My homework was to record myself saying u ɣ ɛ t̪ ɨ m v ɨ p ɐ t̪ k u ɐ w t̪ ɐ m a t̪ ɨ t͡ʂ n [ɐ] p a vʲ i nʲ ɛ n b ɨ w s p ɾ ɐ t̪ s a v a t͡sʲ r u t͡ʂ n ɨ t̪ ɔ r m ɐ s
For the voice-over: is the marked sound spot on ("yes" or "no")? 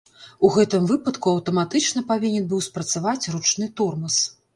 yes